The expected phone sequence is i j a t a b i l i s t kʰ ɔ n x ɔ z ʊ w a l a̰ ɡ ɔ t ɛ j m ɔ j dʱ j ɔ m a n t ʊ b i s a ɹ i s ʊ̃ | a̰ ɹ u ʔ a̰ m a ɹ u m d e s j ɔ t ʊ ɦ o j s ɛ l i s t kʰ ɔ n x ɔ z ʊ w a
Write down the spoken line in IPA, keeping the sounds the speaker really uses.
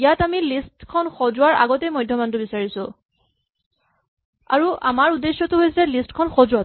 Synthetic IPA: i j a t a m i l i s t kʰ ɔ n x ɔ z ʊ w a ɹ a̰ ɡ ɔ t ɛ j m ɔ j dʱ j ɔ m a n t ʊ b i s a ɹ i s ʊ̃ | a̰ ɹ u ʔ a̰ m a ɹ u d e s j ɔ t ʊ ɦ o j s ɛ l i s t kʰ ɔ n x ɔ z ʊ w a